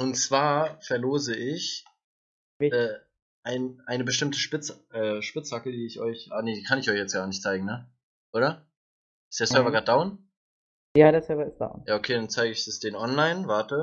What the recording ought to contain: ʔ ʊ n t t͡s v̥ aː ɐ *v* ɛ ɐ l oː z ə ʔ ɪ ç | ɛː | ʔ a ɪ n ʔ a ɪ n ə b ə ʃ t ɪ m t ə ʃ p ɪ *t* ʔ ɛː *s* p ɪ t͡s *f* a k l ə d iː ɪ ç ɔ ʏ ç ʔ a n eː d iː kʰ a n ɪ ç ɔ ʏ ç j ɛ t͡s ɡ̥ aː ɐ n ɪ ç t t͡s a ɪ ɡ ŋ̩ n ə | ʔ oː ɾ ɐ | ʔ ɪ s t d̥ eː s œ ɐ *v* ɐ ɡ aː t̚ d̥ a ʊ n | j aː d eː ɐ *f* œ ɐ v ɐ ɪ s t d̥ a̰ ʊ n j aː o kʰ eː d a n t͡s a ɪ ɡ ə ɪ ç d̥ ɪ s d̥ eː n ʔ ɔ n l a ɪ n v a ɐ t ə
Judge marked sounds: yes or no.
no, no, no, no, yes, no

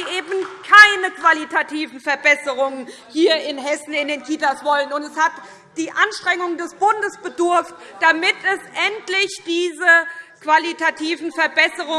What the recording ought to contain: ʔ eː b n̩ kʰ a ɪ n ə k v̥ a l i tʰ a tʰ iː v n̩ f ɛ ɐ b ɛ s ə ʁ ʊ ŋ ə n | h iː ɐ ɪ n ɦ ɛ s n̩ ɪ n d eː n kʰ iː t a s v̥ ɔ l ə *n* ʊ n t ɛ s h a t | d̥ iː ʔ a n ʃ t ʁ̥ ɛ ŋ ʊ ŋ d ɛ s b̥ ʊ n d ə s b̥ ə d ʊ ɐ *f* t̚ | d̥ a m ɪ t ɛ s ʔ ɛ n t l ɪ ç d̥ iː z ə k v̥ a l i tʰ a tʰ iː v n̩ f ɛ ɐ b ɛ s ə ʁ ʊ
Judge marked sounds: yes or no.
yes, yes

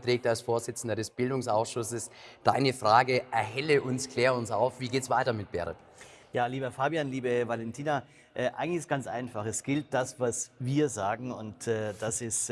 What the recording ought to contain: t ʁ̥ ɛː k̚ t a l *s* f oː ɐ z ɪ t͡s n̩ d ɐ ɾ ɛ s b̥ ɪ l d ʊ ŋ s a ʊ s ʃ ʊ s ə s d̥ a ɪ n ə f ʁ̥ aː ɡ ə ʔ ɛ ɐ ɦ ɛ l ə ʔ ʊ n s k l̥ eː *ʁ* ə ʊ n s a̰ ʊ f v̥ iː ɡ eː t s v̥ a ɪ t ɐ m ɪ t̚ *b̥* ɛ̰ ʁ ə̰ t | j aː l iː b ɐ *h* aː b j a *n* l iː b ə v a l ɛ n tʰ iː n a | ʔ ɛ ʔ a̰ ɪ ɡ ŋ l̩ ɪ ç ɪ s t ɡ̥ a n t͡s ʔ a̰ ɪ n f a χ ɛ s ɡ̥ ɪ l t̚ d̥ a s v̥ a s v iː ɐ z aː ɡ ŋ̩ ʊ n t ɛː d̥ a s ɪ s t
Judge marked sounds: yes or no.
yes, yes, yes, no, yes

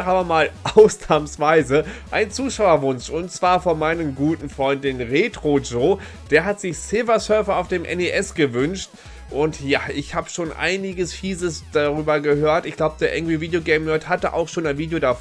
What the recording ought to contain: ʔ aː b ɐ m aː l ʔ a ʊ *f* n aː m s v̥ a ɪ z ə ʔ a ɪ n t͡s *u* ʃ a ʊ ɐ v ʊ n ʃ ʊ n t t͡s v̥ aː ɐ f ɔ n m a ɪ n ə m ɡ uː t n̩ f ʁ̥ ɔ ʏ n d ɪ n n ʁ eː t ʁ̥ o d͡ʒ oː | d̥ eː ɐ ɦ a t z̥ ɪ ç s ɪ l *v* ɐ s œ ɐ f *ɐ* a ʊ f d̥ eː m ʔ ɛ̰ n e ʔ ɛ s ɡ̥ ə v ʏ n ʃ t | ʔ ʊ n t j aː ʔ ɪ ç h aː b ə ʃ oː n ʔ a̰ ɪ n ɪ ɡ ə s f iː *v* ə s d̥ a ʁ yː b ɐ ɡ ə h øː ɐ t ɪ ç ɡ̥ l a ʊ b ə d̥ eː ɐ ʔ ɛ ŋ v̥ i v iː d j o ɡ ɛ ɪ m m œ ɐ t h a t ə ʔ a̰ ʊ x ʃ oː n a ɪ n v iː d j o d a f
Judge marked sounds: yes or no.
no, no, yes, yes, no

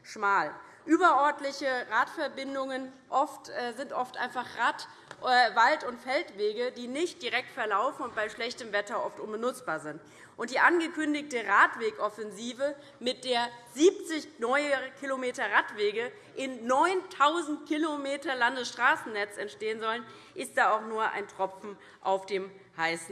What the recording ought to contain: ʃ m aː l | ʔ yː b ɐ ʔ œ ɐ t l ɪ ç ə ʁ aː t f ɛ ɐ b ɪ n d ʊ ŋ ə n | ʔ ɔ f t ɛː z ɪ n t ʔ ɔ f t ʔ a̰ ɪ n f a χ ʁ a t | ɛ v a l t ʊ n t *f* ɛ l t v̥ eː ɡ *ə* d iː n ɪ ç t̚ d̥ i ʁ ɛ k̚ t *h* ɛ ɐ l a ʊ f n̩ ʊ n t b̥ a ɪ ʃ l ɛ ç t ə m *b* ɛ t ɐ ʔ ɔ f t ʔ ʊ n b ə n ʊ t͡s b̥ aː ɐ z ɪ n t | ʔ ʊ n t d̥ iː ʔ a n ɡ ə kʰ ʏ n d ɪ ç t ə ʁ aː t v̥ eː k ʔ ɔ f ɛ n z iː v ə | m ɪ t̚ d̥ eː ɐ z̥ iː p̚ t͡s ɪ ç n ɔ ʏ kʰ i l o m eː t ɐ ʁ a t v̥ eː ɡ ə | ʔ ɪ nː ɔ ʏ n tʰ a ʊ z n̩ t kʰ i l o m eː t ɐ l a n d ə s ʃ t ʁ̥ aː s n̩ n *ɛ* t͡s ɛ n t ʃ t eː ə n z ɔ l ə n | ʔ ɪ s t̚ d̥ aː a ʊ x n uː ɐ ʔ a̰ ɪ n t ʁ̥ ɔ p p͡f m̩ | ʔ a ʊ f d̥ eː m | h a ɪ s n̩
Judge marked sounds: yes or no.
yes, yes, no, no, yes

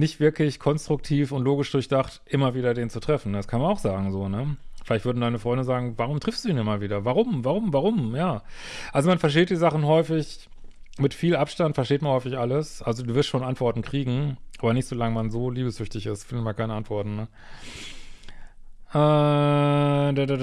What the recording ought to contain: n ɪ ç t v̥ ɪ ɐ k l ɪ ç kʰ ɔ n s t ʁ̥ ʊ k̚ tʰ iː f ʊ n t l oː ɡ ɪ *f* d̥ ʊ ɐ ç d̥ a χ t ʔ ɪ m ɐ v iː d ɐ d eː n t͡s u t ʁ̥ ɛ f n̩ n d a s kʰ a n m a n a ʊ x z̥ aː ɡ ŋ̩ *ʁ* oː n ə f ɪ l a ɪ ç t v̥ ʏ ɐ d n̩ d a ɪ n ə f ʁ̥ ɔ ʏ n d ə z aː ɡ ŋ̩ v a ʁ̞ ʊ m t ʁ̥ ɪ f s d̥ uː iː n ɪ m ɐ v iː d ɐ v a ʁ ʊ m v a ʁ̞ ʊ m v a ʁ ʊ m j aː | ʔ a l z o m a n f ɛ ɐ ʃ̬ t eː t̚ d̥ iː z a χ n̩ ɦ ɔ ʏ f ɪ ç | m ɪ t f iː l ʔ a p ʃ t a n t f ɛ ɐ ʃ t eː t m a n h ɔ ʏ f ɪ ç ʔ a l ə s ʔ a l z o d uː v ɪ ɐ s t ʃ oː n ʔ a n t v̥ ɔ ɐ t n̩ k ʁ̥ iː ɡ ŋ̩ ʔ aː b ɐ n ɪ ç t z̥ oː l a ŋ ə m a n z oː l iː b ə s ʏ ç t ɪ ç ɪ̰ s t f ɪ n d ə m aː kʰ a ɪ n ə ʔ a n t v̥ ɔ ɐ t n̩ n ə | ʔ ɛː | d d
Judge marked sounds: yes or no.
no, no

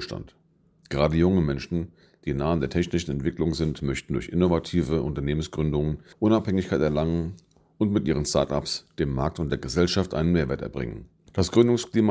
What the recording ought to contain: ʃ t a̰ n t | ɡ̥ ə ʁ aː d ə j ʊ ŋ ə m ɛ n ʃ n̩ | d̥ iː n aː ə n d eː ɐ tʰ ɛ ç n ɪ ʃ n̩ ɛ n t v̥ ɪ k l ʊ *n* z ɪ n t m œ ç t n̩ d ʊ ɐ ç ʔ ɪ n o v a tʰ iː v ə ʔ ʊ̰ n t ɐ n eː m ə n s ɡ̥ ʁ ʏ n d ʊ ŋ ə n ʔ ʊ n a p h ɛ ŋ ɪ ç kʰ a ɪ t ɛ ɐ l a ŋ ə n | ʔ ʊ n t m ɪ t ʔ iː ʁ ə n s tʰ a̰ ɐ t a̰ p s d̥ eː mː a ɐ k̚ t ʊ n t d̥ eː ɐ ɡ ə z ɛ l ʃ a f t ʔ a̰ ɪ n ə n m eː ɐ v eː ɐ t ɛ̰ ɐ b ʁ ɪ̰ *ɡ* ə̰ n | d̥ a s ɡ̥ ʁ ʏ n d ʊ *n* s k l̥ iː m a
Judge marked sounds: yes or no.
no, no, no

